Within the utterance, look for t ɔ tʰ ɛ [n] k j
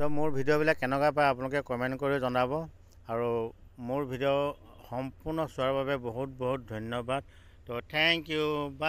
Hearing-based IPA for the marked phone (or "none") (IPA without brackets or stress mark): ŋ